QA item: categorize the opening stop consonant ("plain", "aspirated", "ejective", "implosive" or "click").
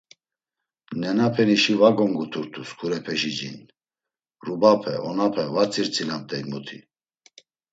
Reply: aspirated